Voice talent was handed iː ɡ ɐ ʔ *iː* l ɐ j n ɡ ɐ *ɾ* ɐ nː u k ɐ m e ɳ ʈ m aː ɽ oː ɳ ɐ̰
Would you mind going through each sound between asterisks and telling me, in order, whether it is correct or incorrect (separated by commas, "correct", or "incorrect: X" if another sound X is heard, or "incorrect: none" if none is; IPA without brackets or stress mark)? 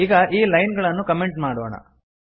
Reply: correct, incorrect: ɭ